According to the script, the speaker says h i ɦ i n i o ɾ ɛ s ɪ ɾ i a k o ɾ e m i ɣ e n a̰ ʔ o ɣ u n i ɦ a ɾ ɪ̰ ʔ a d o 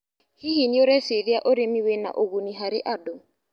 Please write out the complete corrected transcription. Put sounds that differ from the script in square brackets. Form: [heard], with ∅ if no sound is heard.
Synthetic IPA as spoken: h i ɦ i n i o ɾ ɛ s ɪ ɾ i a [ʔ] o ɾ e m i [w] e n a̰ ʔ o ɣ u n i ɦ a ɾ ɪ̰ ʔ a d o